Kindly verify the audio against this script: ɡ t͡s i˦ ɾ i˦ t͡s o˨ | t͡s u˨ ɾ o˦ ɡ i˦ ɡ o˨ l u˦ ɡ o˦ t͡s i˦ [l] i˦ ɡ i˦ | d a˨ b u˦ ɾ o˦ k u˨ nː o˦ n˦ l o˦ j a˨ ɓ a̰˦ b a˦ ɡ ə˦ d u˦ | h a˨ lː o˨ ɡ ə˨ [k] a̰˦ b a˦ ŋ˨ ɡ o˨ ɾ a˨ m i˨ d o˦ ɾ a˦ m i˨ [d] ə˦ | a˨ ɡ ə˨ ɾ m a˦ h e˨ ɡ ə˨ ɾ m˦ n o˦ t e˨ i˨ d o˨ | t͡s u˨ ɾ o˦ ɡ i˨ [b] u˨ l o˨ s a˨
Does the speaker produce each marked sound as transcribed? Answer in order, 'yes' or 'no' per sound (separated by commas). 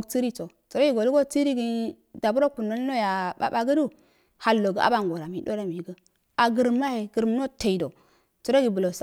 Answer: no, no, no, yes